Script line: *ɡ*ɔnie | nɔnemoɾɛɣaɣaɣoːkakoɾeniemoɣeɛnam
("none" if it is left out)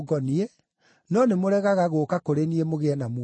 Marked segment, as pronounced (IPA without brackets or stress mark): ɡ